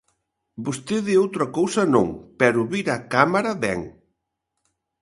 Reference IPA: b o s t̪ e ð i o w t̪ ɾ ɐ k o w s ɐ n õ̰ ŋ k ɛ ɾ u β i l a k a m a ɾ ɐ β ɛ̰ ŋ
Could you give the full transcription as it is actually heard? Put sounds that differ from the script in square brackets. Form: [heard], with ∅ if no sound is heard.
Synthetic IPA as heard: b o s t̪ e ð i o w t̪ ɾ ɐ k o w s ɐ n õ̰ ŋ [p] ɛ ɾ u β i [ɾ] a k a m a ɾ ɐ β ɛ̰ ŋ